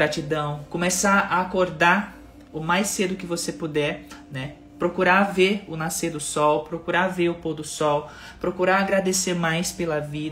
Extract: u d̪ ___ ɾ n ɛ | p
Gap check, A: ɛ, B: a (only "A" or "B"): A